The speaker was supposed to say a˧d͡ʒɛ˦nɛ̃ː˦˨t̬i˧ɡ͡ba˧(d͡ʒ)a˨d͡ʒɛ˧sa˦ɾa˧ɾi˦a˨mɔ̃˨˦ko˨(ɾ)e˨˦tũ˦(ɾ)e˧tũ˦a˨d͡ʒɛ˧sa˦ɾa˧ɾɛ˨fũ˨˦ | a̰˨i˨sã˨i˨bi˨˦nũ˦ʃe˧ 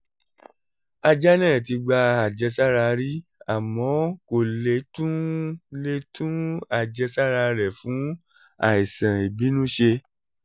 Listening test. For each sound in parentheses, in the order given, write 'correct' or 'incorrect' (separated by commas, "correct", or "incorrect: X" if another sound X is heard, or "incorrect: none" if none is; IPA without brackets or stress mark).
incorrect: none, incorrect: l, incorrect: l